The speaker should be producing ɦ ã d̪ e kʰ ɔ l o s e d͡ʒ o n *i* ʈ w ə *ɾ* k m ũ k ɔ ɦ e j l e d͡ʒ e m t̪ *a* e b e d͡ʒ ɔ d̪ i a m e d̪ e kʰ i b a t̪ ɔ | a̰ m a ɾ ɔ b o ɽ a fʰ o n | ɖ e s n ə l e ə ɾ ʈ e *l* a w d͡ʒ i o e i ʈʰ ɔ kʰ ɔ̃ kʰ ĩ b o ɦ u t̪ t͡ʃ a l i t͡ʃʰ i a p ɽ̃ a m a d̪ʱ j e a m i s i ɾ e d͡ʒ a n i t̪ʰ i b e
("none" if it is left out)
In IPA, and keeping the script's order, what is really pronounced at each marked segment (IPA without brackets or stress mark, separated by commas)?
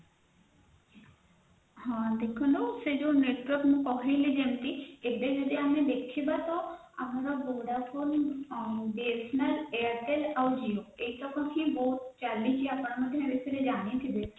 e, ɾ, i, l